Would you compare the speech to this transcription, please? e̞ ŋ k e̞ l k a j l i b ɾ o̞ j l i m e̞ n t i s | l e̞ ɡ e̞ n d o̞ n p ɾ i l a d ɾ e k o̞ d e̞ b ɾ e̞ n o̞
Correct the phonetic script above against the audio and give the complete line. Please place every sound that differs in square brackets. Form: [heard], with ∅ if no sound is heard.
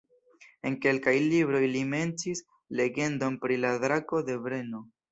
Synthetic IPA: e̞ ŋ k e̞ l k a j l i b ɾ o̞ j l i m e̞ n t i s | l e̞ ɡ e̞ n d o̞ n p ɾ i l a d ɾ [a] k o̞ d e̞ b ɾ e̞ n o̞

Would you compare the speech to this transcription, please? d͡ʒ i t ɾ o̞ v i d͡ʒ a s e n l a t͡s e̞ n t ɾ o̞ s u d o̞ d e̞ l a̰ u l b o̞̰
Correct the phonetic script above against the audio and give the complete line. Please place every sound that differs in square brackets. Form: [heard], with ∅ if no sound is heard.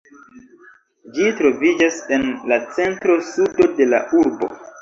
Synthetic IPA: d͡ʒ i t ɾ o̞ v i d͡ʒ a s e n l a t͡s e̞ n t ɾ o̞ s u d o̞ d e̞ l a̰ u [ɾ] b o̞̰

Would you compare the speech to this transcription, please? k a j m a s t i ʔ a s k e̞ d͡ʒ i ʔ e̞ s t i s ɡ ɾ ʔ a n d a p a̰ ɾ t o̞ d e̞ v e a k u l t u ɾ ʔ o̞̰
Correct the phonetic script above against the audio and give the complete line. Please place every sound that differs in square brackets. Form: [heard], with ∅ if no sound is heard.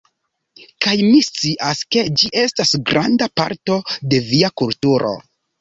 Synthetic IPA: k a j m [i] s [t͡s] i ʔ a s k e̞ d͡ʒ i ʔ e̞ s t [a] s ɡ ɾ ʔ a n d a p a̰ ɾ t o̞ d e̞ v [i] a k u l t u ɾ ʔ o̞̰

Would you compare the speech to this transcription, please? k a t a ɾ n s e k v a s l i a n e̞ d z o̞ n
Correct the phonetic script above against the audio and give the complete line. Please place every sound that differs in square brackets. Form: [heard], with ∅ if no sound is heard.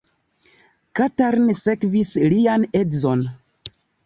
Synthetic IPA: k a t a ɾ n s e k v [i] s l i a n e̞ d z o̞ n

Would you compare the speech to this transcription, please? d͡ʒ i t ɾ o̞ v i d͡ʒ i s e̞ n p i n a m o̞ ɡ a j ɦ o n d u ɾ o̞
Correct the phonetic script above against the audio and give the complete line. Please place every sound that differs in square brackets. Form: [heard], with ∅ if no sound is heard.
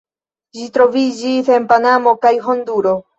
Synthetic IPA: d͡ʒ i t ɾ o̞ v i d͡ʒ i s e̞ n p [a] n a m o̞ [k] a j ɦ o n d u ɾ o̞

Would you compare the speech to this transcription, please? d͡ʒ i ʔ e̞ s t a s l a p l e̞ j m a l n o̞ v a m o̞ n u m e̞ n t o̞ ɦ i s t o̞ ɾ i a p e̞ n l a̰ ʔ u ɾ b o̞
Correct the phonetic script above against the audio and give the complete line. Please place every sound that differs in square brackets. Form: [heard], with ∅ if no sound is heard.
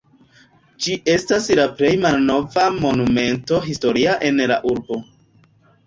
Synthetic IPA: d͡ʒ i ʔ e̞ s t a s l a p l e̞ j m a l n o̞ v a m o̞ n u m e̞ n t o̞ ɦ i s t o̞ ɾ i a [ʔ] e̞ n l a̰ ʔ u ɾ b o̞

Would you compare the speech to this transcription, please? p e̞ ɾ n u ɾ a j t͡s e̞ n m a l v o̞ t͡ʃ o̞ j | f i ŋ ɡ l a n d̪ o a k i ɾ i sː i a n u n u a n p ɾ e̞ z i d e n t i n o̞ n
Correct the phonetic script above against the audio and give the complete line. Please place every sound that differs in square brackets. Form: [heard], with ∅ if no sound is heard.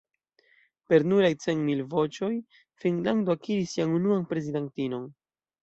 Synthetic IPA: p e̞ ɾ n u ɾ a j t͡s e̞ n m [i] l v o̞ t͡ʃ o̞ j | f i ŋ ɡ l a n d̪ o a k i ɾ i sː i a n u n u a n p ɾ e̞ z i d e n t i n o̞ n

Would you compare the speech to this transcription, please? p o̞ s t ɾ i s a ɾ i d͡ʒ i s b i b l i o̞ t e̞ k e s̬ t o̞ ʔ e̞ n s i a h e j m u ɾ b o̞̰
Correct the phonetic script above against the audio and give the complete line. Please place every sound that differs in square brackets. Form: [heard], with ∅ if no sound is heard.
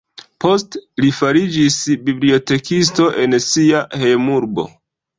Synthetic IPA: p o̞ s t [l] i [f] a ɾ i d͡ʒ i s b i b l i o̞ t e̞ k [i] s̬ t o̞ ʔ e̞ n s i a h e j m u ɾ b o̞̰

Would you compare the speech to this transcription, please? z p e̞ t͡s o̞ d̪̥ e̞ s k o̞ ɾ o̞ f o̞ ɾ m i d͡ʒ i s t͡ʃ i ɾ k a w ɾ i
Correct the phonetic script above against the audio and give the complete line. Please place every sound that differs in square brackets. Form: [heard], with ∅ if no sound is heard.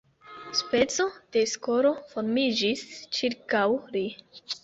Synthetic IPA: [s] p e̞ t͡s o̞ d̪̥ e̞ s k o̞ ɾ o̞ f o̞ ɾ m i d͡ʒ i s t͡ʃ i ɾ k a w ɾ i

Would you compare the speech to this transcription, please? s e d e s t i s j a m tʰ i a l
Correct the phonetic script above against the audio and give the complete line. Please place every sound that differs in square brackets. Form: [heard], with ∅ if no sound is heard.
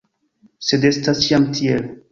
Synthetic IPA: s e d e s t [a] s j a m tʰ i [e] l

